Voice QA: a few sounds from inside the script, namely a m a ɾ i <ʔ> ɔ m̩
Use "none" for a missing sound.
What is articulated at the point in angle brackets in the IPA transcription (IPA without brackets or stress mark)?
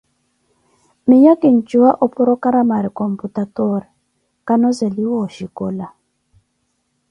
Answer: k